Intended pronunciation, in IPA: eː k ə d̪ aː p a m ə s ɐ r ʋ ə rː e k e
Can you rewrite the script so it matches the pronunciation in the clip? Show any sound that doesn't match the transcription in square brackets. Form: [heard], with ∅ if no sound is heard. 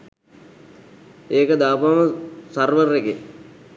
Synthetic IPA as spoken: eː k ə d̪ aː p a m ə s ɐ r ʋ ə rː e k e

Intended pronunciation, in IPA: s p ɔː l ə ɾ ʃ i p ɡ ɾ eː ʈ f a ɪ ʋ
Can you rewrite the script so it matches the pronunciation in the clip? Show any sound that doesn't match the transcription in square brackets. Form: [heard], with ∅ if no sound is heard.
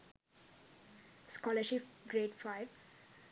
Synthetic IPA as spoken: s [k] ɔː l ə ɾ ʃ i p ɡ ɾ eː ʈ f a ɪ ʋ

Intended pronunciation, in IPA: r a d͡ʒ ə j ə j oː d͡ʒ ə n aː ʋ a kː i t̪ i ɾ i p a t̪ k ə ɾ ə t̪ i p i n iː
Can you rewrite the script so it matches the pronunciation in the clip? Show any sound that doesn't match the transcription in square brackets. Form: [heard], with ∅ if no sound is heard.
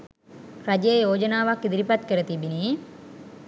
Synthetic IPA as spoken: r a d͡ʒ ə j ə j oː d͡ʒ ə n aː ʋ a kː i [d̪] i ɾ i p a t̪ k ə ɾ ə t̪ i [b] i n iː

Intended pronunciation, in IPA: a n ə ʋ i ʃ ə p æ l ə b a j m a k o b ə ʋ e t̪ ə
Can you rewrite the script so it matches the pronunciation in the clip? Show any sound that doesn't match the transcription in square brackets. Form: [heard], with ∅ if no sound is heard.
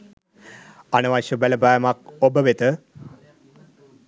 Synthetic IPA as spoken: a n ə ʋ [a] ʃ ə [b] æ l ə b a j m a k o b ə ʋ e t̪ ə

